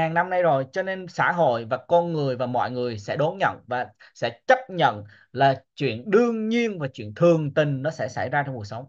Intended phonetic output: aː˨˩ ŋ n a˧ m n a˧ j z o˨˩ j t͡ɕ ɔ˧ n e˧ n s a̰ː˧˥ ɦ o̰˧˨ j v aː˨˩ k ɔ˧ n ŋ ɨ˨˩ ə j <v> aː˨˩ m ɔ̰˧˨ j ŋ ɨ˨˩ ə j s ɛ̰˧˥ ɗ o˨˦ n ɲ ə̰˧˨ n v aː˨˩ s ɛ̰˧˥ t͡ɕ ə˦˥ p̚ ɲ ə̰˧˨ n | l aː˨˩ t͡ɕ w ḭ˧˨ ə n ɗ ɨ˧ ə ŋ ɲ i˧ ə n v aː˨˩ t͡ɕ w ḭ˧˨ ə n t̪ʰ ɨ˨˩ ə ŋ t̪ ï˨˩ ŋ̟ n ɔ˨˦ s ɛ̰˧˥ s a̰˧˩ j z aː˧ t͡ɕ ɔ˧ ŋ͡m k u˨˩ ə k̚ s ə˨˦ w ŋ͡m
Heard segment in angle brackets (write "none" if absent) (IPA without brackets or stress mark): v